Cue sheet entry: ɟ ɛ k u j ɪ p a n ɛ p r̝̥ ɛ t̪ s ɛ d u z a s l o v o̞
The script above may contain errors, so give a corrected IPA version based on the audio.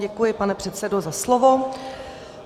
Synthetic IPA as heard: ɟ ɛ k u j ɪ p a n ɛ p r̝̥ ɛ t̪ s ɛ d o z a s l o v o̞

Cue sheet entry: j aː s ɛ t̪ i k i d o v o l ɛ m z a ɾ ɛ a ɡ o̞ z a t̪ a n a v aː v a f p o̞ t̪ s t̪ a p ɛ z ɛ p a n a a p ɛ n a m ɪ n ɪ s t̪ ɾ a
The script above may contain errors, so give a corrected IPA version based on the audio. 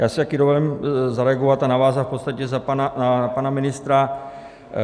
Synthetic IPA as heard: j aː s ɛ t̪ a k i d o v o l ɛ m z a ɾ ɛ a ɡ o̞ v a t̪ a n a v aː z a f p o̞ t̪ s t̪ a c ɛ z a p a n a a p a n a m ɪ n ɪ s t̪ ɾ a

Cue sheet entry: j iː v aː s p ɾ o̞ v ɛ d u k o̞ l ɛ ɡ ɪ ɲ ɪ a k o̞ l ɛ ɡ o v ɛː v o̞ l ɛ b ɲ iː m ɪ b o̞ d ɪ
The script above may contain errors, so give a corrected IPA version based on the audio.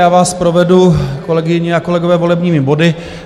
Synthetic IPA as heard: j aː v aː s p ɾ o̞ v ɛ d u k o̞ l ɛ ɡ ɪ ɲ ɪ a k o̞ l ɛ ɡ o v ɛː v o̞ l ɛ b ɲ iː m ɪ b o̞ d ɪ

